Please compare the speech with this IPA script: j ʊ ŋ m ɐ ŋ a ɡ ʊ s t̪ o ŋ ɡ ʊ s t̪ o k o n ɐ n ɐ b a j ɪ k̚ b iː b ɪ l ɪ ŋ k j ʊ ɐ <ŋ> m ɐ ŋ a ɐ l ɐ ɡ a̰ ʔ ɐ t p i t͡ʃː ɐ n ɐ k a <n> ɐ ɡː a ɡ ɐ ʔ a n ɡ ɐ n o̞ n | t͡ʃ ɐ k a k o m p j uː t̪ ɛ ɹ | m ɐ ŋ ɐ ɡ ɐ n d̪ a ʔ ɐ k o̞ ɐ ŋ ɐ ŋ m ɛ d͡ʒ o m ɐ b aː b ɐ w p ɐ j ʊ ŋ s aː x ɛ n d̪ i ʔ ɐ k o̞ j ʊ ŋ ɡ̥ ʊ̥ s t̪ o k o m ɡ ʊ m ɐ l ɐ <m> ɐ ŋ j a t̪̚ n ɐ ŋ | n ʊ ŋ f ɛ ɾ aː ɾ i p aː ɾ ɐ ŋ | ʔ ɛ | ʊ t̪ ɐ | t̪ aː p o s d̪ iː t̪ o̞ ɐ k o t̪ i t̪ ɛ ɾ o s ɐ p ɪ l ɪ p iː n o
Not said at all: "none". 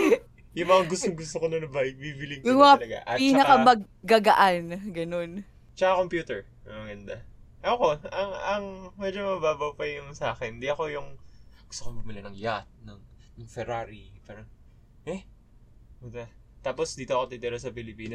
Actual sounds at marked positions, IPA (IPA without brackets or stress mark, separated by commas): ŋ, m, n